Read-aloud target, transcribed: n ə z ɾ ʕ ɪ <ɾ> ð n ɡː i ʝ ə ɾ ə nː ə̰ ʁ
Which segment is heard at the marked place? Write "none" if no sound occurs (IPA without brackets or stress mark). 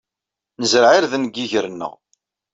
ɾ